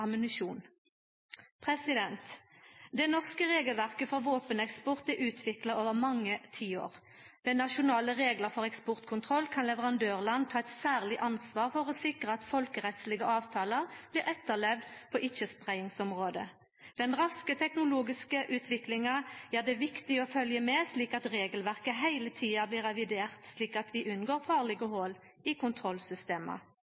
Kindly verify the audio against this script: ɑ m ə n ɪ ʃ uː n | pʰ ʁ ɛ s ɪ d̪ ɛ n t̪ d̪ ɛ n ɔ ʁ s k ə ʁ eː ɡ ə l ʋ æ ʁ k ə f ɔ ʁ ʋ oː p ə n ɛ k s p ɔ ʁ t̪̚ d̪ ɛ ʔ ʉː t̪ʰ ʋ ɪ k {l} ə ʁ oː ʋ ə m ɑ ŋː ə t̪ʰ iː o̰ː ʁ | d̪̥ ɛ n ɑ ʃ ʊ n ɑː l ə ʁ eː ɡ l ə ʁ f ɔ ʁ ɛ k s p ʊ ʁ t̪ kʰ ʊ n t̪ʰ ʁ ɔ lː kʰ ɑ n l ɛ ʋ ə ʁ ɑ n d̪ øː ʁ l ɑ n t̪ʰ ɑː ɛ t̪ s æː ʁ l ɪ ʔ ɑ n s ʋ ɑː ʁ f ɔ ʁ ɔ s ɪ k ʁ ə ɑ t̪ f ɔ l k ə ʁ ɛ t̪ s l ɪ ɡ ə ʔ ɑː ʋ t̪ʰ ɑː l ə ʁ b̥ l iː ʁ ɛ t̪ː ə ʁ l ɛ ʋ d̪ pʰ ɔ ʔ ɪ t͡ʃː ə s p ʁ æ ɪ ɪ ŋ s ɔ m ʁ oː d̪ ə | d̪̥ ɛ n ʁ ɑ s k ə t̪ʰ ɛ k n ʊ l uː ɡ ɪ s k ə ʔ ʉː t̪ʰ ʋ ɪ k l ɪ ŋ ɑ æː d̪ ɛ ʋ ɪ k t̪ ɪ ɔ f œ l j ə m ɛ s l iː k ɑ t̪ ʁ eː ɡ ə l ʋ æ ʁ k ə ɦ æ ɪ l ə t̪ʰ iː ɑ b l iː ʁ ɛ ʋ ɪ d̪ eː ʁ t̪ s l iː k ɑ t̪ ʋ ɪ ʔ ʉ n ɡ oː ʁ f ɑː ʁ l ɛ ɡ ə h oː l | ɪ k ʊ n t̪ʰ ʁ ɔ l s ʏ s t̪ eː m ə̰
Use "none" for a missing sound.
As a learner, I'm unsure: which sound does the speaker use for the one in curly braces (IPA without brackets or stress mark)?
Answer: l